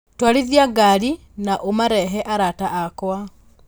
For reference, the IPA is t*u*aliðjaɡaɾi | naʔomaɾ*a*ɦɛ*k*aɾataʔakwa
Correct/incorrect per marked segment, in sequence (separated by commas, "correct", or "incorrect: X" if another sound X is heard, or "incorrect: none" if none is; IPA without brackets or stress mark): incorrect: w, incorrect: ɛ, incorrect: ʔ